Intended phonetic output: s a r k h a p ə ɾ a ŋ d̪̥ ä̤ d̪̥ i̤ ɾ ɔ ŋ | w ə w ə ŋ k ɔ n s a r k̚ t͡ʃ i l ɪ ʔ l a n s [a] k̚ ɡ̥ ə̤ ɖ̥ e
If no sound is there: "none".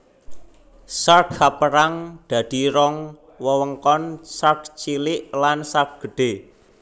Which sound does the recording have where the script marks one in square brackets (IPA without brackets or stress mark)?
a